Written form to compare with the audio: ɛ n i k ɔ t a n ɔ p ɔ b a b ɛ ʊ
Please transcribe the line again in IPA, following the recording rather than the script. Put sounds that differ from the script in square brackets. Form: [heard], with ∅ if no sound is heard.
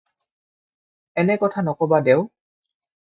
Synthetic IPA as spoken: ɛ n [ɛ] k ɔ [tʰ] a n ɔ [k] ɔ b a [d] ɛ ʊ

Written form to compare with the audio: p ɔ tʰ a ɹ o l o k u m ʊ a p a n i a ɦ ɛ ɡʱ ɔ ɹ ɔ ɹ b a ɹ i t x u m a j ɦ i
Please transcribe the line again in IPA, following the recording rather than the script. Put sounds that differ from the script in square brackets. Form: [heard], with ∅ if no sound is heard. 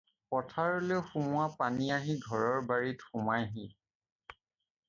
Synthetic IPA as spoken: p ɔ tʰ a ɹ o l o [x] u m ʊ a p a n i a ɦ [i] ɡʱ ɔ ɹ ɔ ɹ b a ɹ i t x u m a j ɦ i

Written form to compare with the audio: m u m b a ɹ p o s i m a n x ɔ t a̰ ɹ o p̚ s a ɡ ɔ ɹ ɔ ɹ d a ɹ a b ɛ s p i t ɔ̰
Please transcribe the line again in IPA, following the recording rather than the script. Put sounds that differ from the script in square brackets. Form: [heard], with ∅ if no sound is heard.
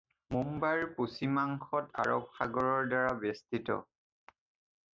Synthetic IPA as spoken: m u m b a ɹ p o s i m a [ŋ] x ɔ t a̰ ɹ [ɔ] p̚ [x] a ɡ ɔ ɹ ɔ ɹ d a ɹ a b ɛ s [t] i t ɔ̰

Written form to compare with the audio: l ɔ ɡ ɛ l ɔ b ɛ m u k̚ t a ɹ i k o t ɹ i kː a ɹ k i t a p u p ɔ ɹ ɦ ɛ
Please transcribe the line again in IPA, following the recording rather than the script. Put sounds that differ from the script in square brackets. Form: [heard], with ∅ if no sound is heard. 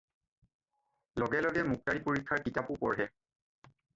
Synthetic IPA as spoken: l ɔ ɡ ɛ l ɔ [ɡ] ɛ m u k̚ t a ɹ i [p] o [∅] ɹ i [kʰː] a ɹ k i t a p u p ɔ ɹ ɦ ɛ

